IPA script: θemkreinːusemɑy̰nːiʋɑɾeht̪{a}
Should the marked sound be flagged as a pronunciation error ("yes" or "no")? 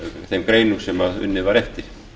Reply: yes